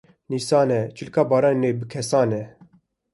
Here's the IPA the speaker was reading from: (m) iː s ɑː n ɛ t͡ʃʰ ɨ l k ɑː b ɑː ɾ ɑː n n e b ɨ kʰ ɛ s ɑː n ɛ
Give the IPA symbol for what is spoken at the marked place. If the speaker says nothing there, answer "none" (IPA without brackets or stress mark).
n